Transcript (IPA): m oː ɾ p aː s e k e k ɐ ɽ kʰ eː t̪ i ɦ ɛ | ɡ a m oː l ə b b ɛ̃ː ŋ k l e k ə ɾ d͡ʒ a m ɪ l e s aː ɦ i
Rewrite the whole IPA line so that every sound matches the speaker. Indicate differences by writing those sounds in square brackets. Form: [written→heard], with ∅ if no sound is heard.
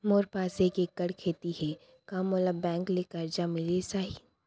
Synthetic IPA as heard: m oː ɾ p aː s e k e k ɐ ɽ kʰ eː t̪ i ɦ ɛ | [ɡ→k] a m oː l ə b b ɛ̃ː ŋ k l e k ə ɾ d͡ʒ a m ɪ l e s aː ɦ i

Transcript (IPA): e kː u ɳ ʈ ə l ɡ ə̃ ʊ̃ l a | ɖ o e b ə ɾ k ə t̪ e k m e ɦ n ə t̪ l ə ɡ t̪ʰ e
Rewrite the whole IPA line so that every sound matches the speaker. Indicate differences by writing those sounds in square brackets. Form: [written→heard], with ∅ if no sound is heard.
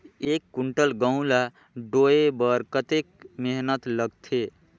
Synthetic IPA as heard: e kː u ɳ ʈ ə l ɡ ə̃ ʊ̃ l a | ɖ o e b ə ɾ k ə t̪ e k m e ɦ n ə t̪ l ə ɡ t̪ʰ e

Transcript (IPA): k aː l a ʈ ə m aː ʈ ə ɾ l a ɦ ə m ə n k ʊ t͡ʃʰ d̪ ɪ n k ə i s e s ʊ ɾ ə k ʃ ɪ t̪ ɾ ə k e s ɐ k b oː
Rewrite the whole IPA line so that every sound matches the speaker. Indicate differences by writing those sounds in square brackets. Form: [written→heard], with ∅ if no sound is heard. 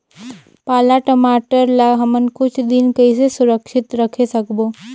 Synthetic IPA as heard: [k→p] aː l a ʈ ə m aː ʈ ə ɾ l a ɦ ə m ə n k ʊ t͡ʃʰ d̪ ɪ n k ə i s e s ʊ ɾ ə k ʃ ɪ t̪ ɾ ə [k→kʰ] e s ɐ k b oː

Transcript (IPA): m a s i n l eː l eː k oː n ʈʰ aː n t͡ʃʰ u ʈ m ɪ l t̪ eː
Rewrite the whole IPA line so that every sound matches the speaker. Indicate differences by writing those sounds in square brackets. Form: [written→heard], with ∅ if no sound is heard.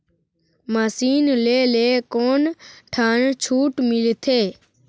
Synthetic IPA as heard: m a s [i→iː] n l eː l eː k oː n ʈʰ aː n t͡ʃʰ [u→uː] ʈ m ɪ l [t̪→t̪ʰ] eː

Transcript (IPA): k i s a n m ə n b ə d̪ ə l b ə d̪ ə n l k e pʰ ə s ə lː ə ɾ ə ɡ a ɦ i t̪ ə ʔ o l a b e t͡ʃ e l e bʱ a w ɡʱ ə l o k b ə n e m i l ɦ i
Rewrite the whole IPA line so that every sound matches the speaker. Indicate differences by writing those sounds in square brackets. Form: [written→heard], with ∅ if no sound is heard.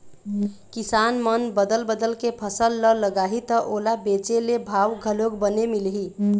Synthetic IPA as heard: k i s a n m ə n b ə d̪ ə l b ə d̪ ə [n→∅] l k e pʰ ə s ə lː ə [ɾ→l] ə ɡ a ɦ i t̪ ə ʔ o l a b e t͡ʃ e l e bʱ a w ɡʱ ə l o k b ə n e m i l ɦ i

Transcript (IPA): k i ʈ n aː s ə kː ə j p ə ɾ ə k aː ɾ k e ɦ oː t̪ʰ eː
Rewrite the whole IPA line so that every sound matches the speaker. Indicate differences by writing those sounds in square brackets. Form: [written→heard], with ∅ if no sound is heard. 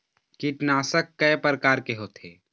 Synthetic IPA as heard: k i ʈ n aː s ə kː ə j p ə ɾ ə k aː ɾ k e ɦ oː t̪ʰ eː

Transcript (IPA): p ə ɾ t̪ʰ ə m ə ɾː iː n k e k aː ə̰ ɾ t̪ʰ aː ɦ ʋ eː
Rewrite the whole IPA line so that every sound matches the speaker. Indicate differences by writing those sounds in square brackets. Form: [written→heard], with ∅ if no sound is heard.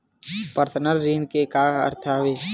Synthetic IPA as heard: p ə ɾ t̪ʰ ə [m→n] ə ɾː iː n k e k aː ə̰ ɾ t̪ʰ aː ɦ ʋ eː

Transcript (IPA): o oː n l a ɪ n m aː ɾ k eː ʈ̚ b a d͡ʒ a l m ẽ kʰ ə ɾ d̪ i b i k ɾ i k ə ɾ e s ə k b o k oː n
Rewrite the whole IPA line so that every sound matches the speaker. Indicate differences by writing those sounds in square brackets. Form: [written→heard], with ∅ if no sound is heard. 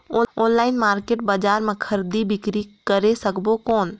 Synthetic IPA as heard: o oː n l a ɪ n m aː ɾ k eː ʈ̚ b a d͡ʒ a [l→ɾ] m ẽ kʰ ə ɾ d̪ i b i k ɾ i k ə ɾ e s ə k b o k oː n

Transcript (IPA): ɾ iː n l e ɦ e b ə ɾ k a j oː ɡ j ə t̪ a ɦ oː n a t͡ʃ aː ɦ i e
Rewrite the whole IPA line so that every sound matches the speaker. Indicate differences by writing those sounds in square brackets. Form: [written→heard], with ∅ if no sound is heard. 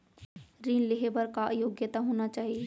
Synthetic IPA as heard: ɾ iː n l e ɦ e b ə ɾ k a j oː ɡ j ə t̪ a ɦ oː n a t͡ʃ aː ɦ i e

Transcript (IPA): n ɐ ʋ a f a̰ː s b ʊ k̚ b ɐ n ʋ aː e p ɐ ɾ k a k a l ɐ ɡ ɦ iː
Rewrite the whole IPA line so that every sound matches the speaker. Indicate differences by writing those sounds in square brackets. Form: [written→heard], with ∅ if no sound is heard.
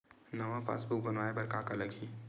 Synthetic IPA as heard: n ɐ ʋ a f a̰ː s b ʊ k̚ b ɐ n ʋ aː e [p→b] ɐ ɾ k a k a l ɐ ɡ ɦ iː

